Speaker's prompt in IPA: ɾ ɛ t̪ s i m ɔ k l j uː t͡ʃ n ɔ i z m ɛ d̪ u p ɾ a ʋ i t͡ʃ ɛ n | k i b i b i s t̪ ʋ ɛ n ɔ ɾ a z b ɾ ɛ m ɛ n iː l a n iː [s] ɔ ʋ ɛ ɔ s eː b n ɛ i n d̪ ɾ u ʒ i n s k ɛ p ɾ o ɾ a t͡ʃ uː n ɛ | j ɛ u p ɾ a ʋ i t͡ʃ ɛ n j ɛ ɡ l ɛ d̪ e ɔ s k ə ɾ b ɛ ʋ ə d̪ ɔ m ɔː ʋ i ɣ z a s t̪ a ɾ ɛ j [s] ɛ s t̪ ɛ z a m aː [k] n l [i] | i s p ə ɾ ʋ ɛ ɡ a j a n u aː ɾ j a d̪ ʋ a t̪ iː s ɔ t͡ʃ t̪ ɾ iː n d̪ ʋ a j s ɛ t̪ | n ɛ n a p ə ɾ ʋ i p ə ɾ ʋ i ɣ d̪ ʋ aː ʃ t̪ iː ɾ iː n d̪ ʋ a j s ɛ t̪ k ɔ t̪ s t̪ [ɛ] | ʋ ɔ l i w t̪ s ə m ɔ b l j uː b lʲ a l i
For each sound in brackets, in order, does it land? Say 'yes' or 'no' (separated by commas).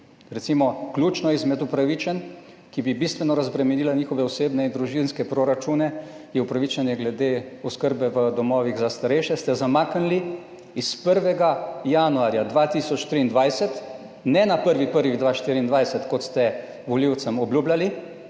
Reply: no, no, yes, yes, yes